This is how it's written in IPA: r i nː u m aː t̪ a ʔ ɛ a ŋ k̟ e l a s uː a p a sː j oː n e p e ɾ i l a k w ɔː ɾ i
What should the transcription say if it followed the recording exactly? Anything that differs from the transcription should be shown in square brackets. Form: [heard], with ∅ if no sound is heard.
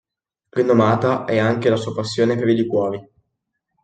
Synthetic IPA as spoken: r i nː [o] m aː t̪ a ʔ ɛ a ŋ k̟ e l a s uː a p a sː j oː n e p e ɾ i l [i] k w ɔː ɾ i